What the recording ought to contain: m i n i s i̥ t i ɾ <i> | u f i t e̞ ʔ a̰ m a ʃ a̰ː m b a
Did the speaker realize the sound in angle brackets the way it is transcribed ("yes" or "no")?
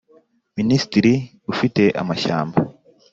yes